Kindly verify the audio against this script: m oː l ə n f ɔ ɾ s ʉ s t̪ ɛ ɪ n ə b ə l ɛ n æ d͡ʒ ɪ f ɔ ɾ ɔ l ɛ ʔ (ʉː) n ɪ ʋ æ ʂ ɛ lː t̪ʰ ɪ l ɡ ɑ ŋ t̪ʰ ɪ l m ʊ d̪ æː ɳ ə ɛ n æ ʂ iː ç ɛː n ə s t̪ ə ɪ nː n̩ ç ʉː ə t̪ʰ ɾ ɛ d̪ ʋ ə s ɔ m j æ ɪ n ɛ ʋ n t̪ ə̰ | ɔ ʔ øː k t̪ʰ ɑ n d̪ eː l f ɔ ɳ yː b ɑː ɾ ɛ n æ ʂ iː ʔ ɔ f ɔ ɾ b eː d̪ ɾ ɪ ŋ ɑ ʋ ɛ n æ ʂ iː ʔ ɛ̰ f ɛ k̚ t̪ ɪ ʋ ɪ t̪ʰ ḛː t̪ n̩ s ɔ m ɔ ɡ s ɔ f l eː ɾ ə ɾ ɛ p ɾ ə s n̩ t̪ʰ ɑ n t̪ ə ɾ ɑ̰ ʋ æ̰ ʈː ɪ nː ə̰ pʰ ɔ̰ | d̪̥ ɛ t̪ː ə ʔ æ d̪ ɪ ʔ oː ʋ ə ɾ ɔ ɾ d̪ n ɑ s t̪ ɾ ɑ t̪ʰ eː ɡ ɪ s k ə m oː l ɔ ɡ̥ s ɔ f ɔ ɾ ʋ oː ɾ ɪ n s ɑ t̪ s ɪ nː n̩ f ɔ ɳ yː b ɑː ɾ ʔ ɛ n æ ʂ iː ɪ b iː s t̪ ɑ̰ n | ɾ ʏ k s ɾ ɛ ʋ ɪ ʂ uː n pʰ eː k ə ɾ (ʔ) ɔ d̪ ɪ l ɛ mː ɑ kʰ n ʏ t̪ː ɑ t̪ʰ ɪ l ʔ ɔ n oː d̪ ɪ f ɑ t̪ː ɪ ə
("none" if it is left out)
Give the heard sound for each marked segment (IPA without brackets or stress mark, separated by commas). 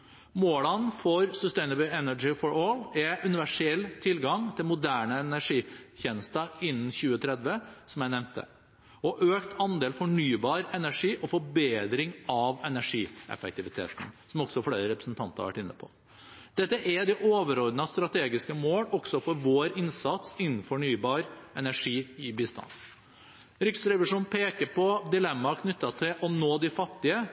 ʉ, p